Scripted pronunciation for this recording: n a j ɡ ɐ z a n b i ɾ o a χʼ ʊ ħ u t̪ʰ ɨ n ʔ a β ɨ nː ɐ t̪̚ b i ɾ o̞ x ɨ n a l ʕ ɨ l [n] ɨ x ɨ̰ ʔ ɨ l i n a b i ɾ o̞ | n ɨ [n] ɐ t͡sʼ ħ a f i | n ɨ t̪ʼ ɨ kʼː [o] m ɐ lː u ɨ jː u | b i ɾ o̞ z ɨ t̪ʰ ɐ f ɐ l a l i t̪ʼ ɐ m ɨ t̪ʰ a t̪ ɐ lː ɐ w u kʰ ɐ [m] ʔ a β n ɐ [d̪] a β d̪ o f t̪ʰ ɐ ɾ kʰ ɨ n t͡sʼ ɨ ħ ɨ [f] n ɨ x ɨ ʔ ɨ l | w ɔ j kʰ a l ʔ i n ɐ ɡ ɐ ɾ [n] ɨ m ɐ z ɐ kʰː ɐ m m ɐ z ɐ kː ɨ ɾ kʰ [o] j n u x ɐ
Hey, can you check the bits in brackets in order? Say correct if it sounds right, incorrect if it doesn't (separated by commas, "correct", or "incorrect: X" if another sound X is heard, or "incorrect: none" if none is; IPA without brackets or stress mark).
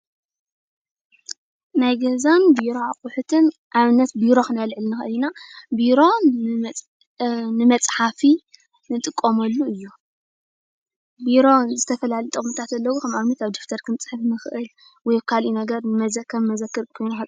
correct, incorrect: m, correct, correct, incorrect: t̪, correct, correct, correct